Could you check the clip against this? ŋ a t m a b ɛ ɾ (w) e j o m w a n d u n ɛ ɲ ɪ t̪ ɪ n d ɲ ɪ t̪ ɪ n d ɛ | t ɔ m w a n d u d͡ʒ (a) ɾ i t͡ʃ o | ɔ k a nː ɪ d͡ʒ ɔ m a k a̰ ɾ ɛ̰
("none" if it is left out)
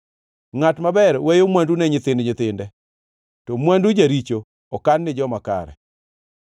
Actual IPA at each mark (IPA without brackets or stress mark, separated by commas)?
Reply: w, a